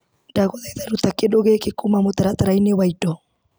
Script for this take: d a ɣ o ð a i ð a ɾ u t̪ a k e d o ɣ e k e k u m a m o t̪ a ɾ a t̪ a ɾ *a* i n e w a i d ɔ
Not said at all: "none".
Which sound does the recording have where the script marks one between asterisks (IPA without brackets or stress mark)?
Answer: a